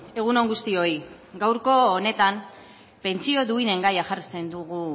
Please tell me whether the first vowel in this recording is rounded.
no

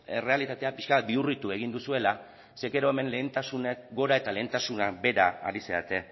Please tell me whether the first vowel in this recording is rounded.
no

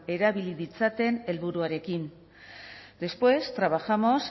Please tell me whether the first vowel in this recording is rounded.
no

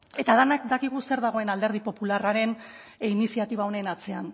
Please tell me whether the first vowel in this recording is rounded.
no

